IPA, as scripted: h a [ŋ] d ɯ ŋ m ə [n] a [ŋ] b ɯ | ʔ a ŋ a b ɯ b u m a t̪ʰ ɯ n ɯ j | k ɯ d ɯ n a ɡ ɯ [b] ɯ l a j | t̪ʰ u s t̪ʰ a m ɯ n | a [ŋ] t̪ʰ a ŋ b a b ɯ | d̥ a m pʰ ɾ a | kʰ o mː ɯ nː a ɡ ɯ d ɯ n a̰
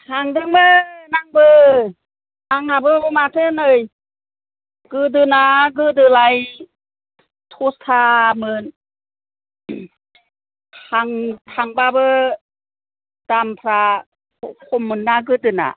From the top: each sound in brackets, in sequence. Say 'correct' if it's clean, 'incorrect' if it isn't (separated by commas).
correct, correct, correct, incorrect, correct